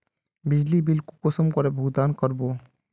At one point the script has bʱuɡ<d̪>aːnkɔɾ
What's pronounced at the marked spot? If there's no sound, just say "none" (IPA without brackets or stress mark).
d̪